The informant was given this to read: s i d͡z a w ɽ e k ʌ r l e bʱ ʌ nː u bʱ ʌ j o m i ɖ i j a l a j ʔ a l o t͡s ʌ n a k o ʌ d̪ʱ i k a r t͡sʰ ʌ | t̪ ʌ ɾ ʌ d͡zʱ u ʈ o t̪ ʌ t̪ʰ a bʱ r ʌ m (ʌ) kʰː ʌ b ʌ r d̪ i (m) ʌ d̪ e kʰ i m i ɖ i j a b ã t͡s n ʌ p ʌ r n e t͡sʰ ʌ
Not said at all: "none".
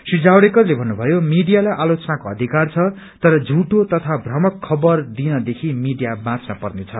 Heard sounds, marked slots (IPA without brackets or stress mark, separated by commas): ʌ, n